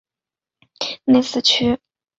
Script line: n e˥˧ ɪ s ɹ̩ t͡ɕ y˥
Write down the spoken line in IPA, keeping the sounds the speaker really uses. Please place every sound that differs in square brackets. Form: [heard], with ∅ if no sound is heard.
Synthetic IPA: n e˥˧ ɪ s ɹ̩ [t͡ɕʰ] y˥